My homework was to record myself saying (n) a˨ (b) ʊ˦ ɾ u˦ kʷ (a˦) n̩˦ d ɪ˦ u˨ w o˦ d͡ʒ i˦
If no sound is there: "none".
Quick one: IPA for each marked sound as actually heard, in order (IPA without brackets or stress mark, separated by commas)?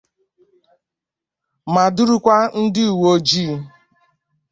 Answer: m, d, a˦